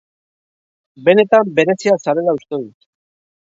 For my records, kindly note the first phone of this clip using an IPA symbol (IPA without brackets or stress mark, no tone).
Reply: b